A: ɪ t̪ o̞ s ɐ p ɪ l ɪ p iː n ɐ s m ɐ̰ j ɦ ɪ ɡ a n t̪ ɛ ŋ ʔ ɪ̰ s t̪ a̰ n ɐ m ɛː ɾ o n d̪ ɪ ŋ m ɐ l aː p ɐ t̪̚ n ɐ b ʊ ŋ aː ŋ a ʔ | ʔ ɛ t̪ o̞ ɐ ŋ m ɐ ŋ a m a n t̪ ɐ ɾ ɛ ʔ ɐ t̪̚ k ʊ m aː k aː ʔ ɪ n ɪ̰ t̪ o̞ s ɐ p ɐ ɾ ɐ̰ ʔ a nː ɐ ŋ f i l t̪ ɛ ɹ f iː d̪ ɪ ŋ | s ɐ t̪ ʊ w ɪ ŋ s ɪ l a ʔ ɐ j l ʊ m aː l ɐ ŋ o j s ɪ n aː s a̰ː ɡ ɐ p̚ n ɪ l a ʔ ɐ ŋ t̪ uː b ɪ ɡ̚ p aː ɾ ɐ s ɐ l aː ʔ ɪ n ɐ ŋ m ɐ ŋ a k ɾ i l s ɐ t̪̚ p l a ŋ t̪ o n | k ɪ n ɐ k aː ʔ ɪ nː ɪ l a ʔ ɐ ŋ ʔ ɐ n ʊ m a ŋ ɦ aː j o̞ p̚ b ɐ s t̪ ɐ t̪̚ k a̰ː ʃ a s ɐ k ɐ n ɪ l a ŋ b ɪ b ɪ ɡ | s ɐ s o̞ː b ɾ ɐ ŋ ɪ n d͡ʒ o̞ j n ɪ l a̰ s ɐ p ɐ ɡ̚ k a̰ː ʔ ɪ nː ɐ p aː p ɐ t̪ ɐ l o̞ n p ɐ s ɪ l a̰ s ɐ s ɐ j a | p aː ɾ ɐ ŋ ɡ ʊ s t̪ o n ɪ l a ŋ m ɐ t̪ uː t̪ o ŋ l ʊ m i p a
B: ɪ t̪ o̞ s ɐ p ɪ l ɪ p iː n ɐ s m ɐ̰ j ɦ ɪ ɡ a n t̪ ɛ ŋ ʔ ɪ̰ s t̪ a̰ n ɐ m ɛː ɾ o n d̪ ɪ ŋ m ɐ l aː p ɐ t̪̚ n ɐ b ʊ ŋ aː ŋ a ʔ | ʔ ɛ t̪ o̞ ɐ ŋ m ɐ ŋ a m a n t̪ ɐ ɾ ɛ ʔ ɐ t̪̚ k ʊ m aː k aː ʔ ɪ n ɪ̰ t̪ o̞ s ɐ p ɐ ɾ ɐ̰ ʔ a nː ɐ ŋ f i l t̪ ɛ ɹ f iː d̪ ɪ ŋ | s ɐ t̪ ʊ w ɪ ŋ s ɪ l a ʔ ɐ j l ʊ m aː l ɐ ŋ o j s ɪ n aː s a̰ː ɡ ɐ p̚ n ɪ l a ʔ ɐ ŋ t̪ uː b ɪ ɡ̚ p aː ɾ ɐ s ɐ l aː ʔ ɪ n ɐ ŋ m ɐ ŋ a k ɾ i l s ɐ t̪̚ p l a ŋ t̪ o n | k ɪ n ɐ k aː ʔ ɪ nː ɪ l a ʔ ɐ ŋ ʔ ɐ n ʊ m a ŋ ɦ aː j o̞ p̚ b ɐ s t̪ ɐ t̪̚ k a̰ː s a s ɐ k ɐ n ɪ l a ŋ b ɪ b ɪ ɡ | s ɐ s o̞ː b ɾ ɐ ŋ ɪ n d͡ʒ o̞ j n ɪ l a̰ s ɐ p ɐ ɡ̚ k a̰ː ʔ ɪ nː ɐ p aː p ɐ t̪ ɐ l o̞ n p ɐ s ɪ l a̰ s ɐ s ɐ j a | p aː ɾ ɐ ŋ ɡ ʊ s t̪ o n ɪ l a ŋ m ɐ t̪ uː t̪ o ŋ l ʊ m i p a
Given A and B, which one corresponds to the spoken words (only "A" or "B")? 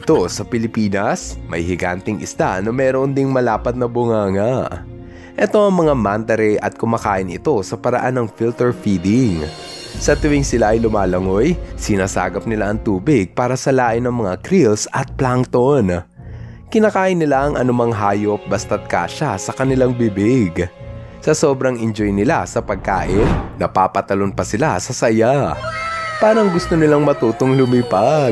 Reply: A